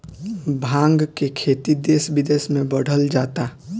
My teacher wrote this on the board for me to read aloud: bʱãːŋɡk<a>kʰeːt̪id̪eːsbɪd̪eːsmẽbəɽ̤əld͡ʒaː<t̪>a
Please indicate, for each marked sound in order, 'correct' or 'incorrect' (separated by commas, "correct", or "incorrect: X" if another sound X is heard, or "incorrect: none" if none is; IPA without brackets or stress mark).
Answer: incorrect: e, correct